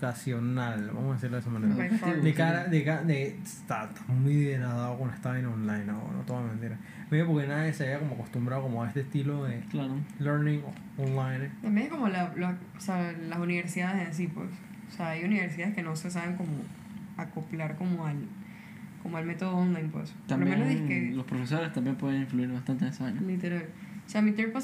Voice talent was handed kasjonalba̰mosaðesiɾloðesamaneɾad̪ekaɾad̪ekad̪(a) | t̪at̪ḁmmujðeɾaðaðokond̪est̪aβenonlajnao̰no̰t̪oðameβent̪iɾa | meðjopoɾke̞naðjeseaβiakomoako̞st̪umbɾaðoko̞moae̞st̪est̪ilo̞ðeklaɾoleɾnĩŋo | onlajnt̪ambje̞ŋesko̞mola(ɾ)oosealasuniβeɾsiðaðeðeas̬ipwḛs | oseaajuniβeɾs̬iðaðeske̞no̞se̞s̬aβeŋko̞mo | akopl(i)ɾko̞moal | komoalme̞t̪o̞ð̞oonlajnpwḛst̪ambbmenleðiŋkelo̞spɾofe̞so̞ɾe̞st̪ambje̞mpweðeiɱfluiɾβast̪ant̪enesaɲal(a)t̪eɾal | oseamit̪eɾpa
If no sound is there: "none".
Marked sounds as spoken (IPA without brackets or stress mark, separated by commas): e, l, a, i